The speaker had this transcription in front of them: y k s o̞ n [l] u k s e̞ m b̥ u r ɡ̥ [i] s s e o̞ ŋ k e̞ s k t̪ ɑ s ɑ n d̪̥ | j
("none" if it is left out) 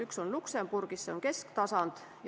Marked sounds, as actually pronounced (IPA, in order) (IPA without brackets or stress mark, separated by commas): l, i